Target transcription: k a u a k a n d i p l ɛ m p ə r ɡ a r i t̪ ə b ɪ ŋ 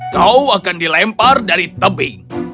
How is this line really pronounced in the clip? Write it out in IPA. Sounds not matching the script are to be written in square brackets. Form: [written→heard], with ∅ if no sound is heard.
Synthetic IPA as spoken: k a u a k a n d i [p→∅] l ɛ m p [ə→a] r [ɡ→d] a [r→ɾ] i t̪ ə b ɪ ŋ